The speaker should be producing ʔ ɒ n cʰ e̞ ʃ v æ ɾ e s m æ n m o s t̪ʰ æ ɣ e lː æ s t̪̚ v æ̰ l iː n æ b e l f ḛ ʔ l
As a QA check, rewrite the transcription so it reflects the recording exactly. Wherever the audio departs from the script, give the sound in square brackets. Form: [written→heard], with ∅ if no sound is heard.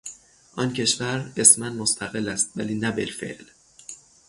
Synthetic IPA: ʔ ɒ n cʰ e̞ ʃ v æ ɾ e s m æ n m o s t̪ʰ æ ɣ e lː æ s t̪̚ v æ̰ l iː n æ b e l f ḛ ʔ l